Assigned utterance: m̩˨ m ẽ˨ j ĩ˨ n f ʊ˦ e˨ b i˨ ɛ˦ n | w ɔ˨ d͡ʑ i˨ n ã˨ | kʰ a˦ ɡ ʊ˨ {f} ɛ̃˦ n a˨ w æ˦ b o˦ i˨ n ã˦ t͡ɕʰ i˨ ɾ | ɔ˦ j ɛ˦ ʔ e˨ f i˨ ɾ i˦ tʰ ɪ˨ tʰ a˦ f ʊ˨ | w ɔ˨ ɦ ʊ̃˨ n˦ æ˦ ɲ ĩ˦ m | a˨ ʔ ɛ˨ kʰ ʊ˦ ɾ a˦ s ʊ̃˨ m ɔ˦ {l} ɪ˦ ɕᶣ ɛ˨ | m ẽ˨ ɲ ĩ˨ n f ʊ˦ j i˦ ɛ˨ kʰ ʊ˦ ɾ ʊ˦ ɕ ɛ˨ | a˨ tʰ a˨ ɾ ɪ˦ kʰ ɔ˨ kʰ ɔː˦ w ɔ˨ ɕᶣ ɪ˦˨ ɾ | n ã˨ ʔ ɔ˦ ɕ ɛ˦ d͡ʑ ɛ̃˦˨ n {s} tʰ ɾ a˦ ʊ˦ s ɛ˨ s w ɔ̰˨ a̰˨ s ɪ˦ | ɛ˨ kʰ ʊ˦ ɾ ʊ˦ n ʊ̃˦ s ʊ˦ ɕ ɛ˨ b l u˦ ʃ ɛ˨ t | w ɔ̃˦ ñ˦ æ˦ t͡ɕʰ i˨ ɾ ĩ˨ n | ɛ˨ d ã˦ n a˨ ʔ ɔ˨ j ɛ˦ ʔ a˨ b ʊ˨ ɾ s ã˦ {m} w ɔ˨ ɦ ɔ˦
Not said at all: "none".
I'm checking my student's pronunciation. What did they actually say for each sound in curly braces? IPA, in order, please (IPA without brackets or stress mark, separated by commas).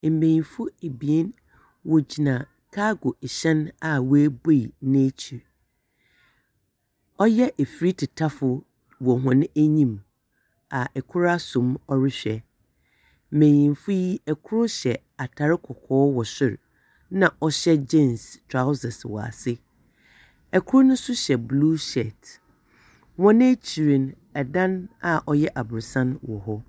ɕ, ɾ, s, n